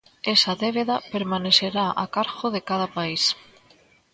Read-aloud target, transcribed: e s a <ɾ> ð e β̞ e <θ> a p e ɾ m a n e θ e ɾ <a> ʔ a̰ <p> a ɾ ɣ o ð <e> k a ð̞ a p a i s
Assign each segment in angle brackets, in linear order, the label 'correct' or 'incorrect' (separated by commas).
incorrect, incorrect, correct, incorrect, correct